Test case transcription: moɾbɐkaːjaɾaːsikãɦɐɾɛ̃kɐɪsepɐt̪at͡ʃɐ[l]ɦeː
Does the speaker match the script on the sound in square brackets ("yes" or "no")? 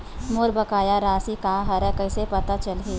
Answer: yes